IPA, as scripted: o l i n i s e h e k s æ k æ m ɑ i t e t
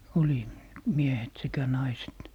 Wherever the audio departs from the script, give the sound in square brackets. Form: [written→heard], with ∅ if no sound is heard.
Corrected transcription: o l i [n→m] i [s→∅] e h e [k→t] s [æ→e] k æ [m→n] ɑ i [t→s] e t

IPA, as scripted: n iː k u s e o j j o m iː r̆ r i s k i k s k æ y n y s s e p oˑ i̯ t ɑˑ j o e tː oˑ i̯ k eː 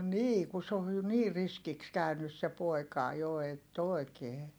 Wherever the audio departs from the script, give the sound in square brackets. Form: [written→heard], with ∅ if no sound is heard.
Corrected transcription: n iː k u s e o j j o [m→n] iː r̆ r i s k i k s k æ y n y s s e p oˑ i̯ [t→k] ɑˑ j o e tː oˑ i̯ k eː

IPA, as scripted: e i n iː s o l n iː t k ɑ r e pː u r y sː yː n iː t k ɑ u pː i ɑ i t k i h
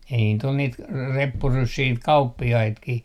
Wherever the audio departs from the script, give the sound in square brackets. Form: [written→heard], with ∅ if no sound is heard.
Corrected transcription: e i n iː [s→t] o l n iː t k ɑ r e pː u r y sː [yː→iː] n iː t k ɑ u pː i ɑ i t k i h

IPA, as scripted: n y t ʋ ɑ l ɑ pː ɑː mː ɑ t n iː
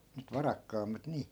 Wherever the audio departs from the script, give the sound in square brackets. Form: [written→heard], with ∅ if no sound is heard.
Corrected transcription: n y t ʋ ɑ [l→r] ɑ [pː→kː] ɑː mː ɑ t n iː

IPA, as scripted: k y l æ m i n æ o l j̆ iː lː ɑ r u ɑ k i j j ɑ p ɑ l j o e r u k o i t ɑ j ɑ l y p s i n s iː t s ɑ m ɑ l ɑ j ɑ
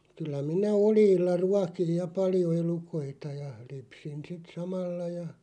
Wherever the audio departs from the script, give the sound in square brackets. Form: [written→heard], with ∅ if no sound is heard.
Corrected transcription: k y [l→lː] æ m i n æ o l j̆ iː lː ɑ r u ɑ k i j j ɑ p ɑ l j o e [r→l] u k o i t ɑ j ɑ l y p s i n s [iː→i] t s ɑ m ɑ [l→lː] ɑ j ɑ

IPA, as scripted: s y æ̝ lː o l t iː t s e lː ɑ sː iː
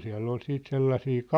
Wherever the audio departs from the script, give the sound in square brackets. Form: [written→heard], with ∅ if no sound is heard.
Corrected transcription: s [y→i] æ̝ lː o l [t→s] iː t s e lː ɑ [sː→s] iː

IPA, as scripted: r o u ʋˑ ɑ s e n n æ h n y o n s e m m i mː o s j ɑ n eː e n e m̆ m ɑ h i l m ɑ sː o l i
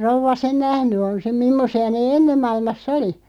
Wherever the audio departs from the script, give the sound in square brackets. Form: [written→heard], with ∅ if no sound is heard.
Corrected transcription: r o u ʋˑ ɑ s e n n æ h n y o n s e m m i mː o s [j→i] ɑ n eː e [n→nː] e m̆ m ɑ [h→∅] i l m ɑ sː o l i

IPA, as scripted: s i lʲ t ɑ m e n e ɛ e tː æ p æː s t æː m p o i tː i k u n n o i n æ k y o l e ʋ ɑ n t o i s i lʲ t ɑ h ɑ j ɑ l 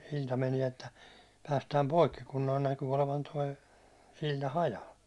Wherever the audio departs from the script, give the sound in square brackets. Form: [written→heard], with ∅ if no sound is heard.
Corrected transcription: s i lʲ t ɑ m e n [e→i] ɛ e tː æ p æː s t æː m p o i [tː→kː] i k u n n o i n æ k y o l e ʋ ɑ n t o i s i lʲ t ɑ h ɑ j ɑ l

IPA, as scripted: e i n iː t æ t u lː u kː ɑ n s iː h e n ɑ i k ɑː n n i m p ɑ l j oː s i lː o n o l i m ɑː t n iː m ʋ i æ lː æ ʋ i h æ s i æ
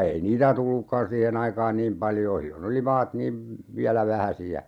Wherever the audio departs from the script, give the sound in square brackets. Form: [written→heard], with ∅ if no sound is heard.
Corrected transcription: e i n iː t æ t u lː u kː ɑ n s iː h e n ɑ i k ɑː n n [i→iː] m p ɑ l j oː s i lː o n o l i m ɑː t n iː m ʋ i æ [lː→l] æ ʋ [i→æ] h æ s i æ

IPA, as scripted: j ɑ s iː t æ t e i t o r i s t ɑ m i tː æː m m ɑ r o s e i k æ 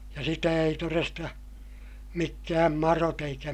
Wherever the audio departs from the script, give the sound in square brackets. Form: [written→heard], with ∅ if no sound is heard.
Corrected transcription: j ɑ s [iː→i] t æ [t→∅] e i t o r [i→e] s t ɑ m i [tː→kː] æː m m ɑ r o [s→t] e i k æ

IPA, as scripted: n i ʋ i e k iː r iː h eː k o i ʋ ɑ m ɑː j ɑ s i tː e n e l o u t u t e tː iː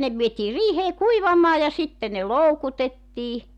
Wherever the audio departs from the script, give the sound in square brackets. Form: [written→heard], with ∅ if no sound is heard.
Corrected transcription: n [i→e] ʋ i e [k→t] iː r iː h eː k [o→u] i ʋ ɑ m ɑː j ɑ s i tː e n e l o u [t→k] u t e tː iː

